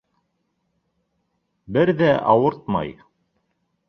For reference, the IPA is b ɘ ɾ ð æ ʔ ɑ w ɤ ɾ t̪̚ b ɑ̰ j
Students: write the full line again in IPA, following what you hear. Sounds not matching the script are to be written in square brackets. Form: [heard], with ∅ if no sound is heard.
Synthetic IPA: b ɘ ɾ ð æ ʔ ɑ w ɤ ɾ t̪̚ [m] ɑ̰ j